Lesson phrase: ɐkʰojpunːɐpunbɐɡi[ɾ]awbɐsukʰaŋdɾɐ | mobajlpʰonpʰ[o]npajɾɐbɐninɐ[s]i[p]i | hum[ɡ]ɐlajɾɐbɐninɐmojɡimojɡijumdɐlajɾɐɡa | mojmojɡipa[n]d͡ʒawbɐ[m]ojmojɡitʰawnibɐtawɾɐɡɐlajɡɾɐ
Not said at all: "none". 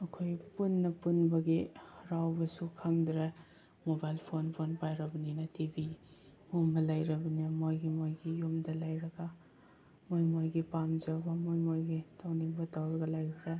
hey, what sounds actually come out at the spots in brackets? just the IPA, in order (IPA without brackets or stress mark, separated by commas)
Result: ɾ, o, t, b, b, m, m